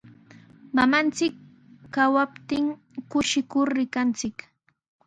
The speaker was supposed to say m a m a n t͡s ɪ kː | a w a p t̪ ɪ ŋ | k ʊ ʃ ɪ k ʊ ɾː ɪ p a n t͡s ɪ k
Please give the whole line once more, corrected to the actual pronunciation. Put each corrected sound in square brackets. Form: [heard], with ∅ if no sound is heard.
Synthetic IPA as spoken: m a m a n t͡s ɪ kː | a w a p t̪ ɪ ŋ | k ʊ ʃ ɪ k ʊ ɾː ɪ [k] a n t͡s ɪ k